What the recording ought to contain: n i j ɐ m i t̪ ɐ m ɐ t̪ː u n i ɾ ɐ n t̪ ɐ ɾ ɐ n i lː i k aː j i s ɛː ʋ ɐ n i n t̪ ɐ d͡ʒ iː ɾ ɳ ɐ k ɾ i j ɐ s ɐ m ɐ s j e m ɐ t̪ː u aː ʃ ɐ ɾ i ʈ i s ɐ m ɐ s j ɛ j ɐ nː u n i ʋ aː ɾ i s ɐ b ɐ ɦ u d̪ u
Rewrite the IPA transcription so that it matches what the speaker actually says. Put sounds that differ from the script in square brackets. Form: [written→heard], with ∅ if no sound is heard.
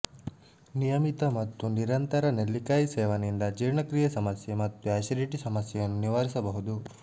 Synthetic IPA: n i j ɐ m i t̪ ɐ m ɐ t̪ː u n i ɾ ɐ n t̪ ɐ ɾ ɐ n [i→e] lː i k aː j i s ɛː ʋ ɐ n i n [t̪→d̪] ɐ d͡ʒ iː ɾ ɳ ɐ k ɾ i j ɐ s ɐ m ɐ s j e m ɐ t̪ː u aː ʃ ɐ ɾ i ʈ i s ɐ m ɐ s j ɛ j ɐ nː u n i ʋ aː ɾ i s ɐ b ɐ ɦ u d̪ u

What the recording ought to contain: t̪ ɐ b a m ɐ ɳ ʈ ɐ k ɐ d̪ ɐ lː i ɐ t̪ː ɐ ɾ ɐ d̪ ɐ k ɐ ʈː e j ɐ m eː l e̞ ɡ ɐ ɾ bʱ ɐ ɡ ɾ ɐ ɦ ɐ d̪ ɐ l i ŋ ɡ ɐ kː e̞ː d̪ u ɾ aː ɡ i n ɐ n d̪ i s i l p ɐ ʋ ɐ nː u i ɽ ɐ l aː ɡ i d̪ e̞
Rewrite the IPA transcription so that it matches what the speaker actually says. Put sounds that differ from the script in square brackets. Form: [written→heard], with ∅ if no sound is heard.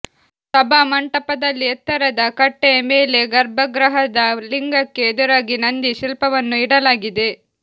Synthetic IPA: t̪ ɐ b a m ɐ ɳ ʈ ɐ [k→p] ɐ d̪ ɐ lː i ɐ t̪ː ɐ ɾ ɐ d̪ ɐ k ɐ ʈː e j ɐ m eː l e̞ ɡ ɐ ɾ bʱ ɐ ɡ ɾ ɐ ɦ ɐ d̪ ɐ l i ŋ ɡ ɐ kː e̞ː d̪ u ɾ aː ɡ i n ɐ n d̪ i [s→ʃ] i l p ɐ ʋ ɐ nː u i ɽ ɐ l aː ɡ i d̪ e̞

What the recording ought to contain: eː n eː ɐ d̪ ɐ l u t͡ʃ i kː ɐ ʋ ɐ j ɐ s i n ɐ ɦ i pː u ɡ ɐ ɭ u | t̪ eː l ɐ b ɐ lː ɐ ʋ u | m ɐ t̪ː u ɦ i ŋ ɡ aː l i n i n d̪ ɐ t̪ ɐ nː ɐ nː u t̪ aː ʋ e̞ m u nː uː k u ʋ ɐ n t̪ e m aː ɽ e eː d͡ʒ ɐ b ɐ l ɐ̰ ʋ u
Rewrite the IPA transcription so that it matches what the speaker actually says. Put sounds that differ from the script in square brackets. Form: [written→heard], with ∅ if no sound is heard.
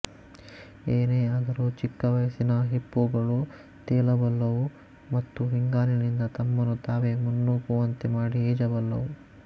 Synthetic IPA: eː n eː ɐ d̪ ɐ [l→ɾ] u t͡ʃ i kː ɐ ʋ ɐ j ɐ s i n ɐ ɦ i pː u ɡ ɐ ɭ u | t̪ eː l ɐ b ɐ lː ɐ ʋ u | m ɐ t̪ː u ɦ i ŋ ɡ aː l i n i n d̪ ɐ t̪ ɐ [nː→mː] ɐ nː u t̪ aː ʋ e̞ m u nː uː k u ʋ ɐ n t̪ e m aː ɽ [e→i] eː d͡ʒ ɐ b ɐ [l→lː] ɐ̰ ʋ u

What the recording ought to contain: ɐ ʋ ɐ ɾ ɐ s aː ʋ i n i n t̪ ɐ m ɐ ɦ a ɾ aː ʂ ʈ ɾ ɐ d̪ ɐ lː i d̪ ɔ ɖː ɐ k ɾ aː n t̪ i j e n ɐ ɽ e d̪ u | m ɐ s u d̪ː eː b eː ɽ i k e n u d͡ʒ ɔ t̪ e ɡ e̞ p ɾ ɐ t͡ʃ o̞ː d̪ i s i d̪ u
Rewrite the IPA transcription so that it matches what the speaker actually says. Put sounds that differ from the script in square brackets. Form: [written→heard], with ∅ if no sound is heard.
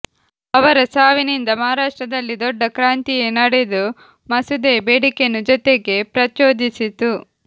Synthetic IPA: ɐ ʋ ɐ ɾ ɐ s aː ʋ i n i n [t̪→d̪] ɐ m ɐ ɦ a ɾ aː ʂ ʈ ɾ ɐ d̪ ɐ lː i d̪ ɔ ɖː ɐ k ɾ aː n t̪ i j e n ɐ ɽ e d̪ u | m ɐ s u [d̪ː→d̪] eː b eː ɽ i k e n u d͡ʒ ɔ t̪ e ɡ e̞ p ɾ ɐ t͡ʃ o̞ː d̪ i s i [d̪→t̪] u

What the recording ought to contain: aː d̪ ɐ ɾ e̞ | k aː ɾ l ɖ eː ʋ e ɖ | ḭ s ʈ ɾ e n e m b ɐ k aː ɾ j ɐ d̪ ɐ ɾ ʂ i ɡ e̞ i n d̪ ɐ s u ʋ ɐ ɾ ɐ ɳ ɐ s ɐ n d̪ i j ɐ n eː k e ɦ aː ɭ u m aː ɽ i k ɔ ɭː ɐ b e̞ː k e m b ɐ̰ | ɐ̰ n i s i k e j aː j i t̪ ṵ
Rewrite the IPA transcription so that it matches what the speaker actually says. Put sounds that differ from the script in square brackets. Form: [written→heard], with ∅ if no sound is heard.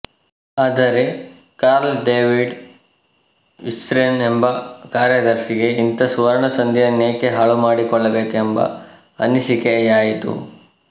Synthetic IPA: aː d̪ ɐ ɾ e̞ | k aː ɾ l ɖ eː ʋ [e→i] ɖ | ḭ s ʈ ɾ e n e m b ɐ k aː ɾ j ɐ d̪ ɐ ɾ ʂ i ɡ e̞ i n [d̪→t̪] ɐ s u ʋ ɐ ɾ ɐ ɳ ɐ s ɐ n d̪ i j ɐ n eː k e ɦ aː ɭ u m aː ɽ i k ɔ ɭː ɐ b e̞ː k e m b ɐ̰ | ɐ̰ n i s i k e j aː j i t̪ ṵ

